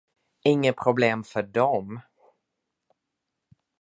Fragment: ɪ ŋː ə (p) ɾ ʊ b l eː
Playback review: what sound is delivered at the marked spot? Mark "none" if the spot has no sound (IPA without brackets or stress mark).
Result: pʰ